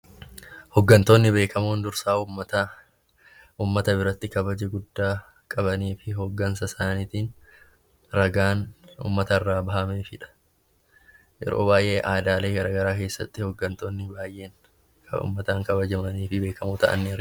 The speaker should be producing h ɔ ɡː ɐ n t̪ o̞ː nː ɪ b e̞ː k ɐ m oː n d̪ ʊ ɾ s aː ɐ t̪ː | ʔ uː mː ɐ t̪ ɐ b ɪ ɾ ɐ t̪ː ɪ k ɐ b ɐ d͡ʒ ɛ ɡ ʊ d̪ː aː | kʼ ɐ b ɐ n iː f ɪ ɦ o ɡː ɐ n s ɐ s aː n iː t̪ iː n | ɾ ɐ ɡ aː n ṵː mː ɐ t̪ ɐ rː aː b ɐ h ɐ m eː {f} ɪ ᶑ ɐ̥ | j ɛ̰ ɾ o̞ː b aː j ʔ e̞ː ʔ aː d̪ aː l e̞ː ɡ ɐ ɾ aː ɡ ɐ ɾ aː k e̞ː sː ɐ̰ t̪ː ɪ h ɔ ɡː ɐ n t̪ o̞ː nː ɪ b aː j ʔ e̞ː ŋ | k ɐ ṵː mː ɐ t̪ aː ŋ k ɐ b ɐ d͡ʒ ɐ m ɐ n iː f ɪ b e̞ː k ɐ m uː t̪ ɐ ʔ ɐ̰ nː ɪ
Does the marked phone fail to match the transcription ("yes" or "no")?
no